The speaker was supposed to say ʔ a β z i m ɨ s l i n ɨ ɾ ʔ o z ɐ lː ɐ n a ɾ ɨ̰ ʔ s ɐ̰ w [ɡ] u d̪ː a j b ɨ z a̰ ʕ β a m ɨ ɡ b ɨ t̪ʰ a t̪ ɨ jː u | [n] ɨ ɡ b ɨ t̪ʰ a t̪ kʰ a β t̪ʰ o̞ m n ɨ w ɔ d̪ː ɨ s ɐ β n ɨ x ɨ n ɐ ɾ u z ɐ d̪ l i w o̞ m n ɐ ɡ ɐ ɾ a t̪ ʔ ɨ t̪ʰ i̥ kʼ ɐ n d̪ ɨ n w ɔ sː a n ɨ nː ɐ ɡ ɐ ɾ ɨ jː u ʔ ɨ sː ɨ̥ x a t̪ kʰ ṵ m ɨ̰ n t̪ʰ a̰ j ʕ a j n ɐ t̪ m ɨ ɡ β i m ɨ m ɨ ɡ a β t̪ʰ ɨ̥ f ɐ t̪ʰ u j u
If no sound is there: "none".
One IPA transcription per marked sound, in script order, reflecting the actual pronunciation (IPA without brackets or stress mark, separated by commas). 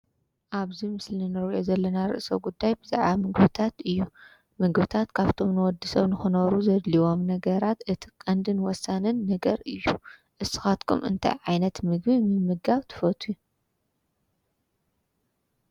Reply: ɡ, m